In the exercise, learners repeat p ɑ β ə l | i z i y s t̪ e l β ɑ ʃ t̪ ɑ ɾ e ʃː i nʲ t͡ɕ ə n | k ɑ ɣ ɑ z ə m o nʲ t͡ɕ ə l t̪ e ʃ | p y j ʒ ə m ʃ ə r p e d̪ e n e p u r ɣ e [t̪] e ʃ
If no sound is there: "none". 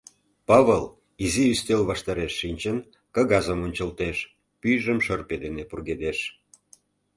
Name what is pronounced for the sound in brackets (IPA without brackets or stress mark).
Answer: d̪